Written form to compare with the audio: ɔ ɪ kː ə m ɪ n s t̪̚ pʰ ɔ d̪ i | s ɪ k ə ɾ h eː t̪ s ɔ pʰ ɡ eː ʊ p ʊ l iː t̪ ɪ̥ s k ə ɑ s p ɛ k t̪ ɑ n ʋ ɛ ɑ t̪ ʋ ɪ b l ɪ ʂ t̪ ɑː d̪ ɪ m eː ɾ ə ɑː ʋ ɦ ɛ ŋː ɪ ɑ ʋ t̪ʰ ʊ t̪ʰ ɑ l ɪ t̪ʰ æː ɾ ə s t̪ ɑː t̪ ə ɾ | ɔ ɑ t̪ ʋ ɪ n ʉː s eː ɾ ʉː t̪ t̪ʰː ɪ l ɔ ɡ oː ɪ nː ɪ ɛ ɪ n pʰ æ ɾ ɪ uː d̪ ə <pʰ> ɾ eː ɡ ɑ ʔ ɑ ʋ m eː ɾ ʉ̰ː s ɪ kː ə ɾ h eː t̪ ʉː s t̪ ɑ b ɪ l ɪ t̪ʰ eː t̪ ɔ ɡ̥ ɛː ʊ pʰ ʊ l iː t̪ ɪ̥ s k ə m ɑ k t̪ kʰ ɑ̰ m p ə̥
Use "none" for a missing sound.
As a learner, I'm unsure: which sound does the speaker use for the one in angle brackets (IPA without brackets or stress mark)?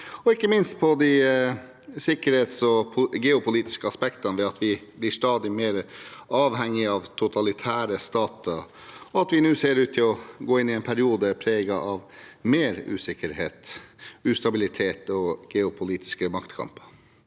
pʰ